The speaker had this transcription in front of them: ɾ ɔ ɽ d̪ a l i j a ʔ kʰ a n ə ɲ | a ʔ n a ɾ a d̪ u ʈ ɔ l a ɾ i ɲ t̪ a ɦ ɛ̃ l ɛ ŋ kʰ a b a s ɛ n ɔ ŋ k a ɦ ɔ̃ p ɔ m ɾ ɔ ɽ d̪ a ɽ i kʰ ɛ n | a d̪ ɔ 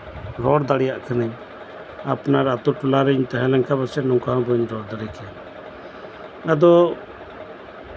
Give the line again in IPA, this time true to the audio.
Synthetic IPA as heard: ɾ ɔ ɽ d̪ a ɽ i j a ʔ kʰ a n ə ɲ | a p n a ɾ a t̪ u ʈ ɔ l a ɾ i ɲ t̪ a ɦ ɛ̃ l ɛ ŋ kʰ a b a s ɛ n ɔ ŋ k a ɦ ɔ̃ b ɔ ɲ ɾ ɔ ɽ d̪ a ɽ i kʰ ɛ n | a d̪ ɔ